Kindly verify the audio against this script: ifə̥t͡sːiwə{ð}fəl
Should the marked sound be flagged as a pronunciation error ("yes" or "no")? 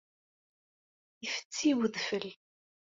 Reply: no